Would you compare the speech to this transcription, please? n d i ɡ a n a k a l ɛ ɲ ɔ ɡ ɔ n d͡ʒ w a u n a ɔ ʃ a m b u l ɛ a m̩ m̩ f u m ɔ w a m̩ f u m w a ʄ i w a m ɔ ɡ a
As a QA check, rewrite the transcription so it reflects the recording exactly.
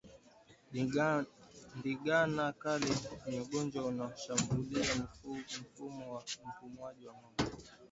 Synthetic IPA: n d i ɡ a n a k a l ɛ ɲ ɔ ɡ ɔ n d͡ʒ w a u n a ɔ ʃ a m b u l i a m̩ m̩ f u m ɔ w a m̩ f u m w a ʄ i w a m ɔ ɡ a